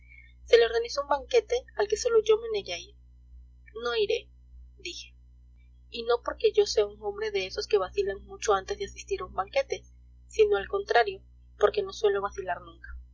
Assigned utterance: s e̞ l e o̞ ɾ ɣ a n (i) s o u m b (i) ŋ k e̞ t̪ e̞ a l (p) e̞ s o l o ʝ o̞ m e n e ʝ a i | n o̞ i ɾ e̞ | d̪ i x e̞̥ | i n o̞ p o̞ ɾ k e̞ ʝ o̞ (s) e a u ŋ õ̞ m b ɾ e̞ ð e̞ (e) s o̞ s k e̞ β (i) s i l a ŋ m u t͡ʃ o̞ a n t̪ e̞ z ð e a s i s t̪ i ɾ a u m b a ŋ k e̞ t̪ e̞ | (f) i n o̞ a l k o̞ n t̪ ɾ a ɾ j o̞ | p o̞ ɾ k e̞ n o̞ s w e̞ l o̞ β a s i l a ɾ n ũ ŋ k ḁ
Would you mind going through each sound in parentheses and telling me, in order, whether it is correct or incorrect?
correct, incorrect: a, incorrect: k, correct, correct, incorrect: a, incorrect: s

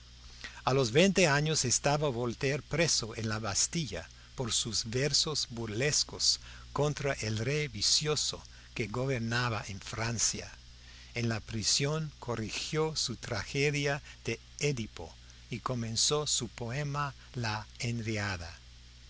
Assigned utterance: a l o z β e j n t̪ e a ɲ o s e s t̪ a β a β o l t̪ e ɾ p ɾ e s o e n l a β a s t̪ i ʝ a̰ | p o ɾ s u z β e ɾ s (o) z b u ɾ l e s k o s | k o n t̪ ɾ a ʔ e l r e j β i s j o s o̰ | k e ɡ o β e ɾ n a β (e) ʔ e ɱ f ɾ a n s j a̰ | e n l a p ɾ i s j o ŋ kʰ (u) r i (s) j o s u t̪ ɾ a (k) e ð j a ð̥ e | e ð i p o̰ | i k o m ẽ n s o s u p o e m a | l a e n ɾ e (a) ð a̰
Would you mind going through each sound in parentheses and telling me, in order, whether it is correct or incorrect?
correct, incorrect: a, incorrect: o, incorrect: x, incorrect: x, correct

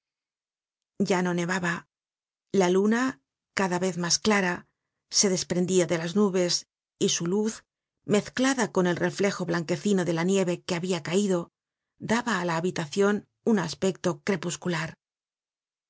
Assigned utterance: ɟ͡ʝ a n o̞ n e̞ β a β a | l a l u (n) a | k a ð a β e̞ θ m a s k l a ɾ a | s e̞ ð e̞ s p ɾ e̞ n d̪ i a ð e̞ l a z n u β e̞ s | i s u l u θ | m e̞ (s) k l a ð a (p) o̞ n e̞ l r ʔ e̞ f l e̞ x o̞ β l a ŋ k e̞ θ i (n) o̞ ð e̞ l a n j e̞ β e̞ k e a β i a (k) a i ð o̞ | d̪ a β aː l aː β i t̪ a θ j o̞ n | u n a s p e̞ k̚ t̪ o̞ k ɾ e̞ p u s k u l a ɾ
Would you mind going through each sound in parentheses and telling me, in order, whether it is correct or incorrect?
correct, incorrect: θ, incorrect: k, correct, correct

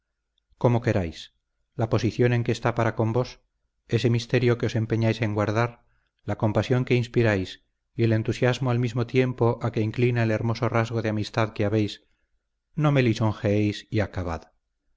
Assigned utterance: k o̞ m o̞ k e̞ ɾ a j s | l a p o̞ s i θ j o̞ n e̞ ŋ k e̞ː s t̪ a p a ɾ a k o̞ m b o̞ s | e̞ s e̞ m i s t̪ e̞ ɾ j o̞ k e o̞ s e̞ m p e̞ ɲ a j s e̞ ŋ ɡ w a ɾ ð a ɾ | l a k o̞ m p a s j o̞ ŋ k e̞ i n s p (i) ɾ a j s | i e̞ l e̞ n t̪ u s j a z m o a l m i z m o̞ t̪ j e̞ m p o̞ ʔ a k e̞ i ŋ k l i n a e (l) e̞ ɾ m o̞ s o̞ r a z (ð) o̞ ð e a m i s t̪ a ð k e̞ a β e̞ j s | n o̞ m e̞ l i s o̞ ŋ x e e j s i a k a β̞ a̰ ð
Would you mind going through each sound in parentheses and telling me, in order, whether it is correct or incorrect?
correct, correct, incorrect: ɣ

